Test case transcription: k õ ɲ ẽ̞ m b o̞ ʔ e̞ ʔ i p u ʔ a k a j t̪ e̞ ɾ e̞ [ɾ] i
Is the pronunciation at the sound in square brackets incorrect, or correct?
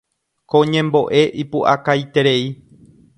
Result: incorrect